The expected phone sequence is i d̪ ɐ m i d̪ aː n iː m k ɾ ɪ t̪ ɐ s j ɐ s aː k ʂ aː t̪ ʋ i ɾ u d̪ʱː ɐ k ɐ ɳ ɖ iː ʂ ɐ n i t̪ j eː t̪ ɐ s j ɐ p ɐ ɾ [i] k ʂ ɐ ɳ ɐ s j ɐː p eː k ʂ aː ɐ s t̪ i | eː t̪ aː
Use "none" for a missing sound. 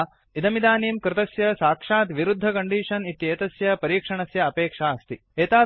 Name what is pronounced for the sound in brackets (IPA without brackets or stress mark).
iː